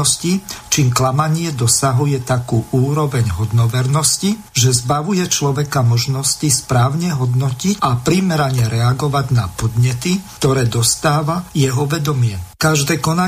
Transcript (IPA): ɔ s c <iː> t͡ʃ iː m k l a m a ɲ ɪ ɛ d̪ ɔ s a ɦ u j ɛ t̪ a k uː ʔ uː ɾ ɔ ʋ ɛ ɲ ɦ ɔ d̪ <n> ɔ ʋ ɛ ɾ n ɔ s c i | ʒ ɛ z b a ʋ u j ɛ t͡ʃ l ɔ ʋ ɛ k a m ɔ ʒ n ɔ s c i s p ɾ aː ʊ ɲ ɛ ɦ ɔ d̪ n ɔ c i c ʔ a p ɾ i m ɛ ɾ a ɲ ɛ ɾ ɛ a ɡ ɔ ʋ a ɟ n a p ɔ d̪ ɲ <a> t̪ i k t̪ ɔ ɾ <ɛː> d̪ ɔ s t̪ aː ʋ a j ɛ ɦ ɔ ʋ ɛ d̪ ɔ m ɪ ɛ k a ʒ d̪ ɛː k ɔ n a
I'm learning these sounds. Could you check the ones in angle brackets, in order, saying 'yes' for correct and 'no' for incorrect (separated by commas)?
no, yes, no, yes